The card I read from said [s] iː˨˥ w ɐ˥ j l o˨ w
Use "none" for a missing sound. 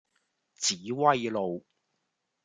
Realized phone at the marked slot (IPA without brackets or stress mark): t͡s